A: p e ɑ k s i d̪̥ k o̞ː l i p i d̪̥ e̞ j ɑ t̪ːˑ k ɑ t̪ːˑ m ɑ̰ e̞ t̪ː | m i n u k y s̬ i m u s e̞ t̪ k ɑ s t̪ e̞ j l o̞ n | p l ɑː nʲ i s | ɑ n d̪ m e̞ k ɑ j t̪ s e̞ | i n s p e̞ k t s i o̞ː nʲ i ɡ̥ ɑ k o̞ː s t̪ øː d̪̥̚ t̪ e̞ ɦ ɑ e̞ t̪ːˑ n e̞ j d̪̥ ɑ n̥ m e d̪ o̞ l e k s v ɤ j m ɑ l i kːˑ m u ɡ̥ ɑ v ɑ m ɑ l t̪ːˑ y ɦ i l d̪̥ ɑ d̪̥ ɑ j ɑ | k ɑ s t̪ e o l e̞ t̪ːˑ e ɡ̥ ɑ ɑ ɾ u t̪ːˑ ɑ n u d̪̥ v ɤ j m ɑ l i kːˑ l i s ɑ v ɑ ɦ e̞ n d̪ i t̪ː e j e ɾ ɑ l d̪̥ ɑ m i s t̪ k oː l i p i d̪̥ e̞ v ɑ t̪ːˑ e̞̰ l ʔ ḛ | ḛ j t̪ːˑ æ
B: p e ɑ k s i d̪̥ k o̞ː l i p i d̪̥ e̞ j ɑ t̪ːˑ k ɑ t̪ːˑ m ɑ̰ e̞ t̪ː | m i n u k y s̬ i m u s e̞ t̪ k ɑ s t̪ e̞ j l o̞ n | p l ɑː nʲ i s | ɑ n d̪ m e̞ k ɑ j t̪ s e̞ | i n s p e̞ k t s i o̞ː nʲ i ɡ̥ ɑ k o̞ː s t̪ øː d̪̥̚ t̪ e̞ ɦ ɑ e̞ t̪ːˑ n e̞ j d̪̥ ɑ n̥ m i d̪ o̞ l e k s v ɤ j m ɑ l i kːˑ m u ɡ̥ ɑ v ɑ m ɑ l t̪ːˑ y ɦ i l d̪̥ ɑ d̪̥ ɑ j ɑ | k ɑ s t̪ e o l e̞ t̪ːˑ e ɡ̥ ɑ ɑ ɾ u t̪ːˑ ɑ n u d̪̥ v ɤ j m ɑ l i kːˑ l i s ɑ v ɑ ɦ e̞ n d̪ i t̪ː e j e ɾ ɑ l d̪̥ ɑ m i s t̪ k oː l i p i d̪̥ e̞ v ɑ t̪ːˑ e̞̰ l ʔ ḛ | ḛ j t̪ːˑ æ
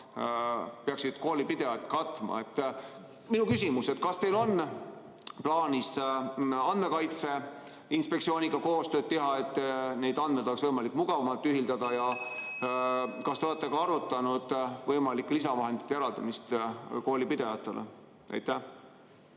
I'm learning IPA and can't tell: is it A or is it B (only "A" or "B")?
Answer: A